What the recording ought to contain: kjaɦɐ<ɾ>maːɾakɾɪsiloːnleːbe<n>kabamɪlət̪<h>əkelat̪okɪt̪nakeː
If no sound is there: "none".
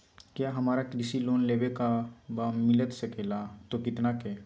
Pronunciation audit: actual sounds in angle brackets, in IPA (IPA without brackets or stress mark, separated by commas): none, none, s